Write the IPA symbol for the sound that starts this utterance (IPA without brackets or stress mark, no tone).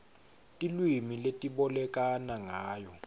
tʼ